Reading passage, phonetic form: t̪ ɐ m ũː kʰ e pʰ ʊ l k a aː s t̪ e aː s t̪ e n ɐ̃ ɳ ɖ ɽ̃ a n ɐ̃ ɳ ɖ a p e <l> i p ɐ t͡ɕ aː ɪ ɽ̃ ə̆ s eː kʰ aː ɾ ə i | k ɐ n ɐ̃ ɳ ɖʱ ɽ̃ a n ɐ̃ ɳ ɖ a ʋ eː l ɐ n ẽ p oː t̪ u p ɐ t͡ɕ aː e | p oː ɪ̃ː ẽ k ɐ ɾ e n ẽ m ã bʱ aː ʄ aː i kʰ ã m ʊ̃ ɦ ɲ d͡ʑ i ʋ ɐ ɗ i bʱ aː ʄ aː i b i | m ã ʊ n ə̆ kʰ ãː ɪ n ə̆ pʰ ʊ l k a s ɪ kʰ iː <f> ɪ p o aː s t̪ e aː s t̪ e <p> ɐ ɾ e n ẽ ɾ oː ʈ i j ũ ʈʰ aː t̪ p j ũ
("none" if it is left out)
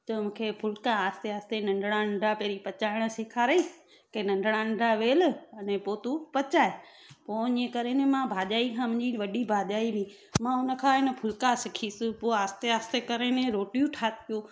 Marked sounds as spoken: ɾ, s, k

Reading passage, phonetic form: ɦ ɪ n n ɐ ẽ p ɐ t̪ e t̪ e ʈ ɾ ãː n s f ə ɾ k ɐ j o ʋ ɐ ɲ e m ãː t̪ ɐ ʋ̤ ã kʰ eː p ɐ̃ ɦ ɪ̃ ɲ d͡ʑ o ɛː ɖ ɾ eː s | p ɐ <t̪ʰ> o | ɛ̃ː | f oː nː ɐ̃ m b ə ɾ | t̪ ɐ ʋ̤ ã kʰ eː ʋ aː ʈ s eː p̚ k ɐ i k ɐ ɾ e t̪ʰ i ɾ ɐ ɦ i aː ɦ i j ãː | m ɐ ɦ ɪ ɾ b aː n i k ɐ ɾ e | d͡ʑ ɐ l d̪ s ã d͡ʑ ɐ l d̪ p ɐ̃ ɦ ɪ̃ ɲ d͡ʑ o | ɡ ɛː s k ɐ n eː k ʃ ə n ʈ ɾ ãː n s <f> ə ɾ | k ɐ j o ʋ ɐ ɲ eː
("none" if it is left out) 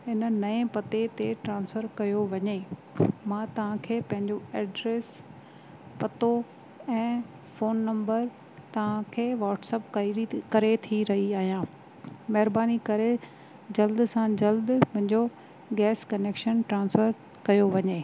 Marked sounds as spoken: t̪, f

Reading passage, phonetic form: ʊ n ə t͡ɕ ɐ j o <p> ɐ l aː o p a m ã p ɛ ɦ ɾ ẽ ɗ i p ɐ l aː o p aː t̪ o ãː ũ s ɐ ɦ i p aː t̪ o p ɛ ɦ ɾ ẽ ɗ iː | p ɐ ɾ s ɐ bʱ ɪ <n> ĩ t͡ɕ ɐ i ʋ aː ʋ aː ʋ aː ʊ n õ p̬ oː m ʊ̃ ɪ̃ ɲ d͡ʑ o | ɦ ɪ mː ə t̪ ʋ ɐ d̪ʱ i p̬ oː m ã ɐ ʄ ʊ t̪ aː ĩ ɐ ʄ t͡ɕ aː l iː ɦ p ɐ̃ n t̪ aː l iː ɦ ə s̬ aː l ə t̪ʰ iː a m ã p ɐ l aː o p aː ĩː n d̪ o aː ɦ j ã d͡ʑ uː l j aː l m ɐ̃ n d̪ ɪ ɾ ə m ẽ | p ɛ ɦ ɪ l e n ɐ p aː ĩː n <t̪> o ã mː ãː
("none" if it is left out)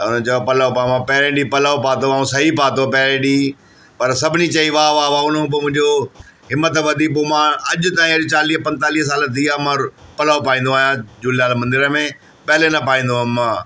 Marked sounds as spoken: p, n, d̪

